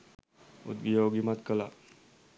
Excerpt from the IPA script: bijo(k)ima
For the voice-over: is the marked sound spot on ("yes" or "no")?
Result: no